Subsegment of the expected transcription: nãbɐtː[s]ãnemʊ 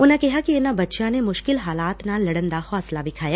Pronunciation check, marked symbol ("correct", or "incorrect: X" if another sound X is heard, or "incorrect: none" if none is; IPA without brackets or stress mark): incorrect: ʃ